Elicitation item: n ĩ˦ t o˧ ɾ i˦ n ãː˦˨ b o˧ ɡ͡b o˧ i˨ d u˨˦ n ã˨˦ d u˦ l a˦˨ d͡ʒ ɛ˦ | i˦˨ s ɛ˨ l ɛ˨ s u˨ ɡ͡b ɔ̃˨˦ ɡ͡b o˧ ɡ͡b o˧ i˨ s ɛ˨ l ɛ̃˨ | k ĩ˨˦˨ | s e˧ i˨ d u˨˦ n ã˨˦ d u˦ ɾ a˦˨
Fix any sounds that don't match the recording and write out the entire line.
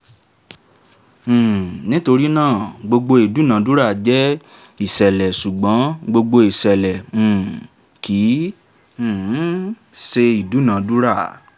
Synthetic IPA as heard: n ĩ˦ t o˧ ɾ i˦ n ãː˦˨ ɡ͡b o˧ ɡ͡b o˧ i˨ d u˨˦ n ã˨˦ d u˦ ɾ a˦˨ d͡ʒ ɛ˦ | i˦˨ s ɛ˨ l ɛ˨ s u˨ ɡ͡b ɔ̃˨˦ ɡ͡b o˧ ɡ͡b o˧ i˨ s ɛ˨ l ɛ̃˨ | k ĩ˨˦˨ | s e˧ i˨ d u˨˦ n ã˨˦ d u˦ ɾ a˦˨